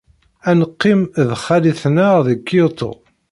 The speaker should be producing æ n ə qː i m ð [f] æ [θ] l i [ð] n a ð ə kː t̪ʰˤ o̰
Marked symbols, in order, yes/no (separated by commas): no, no, no